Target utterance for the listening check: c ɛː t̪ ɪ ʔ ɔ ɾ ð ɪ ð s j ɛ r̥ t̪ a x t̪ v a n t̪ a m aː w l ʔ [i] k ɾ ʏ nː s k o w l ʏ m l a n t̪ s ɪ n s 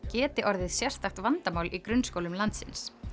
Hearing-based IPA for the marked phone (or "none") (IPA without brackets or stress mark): i